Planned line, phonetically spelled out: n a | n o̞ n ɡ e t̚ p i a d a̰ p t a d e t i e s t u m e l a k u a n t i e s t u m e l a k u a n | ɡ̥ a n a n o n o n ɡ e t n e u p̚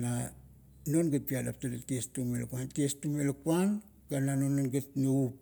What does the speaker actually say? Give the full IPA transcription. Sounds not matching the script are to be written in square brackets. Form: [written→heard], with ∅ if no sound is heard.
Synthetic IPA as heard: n a | n o̞ n ɡ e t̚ p i a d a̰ p t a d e t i e s t u m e l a k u a n t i e s t u m e l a k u a n | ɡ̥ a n a n o n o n ɡ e t n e u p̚